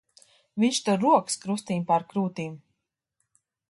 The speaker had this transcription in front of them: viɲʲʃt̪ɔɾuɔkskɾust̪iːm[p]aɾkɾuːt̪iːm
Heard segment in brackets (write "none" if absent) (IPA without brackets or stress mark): p